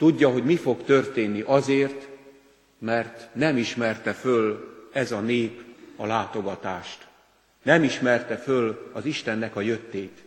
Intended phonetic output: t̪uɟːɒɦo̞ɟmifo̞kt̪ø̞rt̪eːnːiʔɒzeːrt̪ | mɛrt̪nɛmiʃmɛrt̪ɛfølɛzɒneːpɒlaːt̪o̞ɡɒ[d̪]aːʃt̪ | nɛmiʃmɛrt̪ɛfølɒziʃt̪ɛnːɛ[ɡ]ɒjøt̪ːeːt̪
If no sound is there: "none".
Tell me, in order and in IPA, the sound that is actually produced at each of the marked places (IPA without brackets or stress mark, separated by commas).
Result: t̪, k